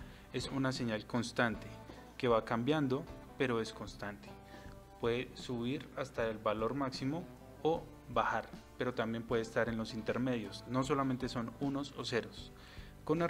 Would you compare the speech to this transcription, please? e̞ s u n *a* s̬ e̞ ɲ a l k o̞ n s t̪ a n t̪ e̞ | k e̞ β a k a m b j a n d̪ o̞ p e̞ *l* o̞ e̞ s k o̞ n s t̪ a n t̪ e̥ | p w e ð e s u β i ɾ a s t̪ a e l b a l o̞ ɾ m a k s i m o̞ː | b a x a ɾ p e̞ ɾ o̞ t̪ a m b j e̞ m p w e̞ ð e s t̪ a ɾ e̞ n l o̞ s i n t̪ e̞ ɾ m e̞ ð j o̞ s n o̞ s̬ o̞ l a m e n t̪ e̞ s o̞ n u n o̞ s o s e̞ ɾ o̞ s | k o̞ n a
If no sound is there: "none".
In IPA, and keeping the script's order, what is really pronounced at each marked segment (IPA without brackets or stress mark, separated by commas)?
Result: a, ɾ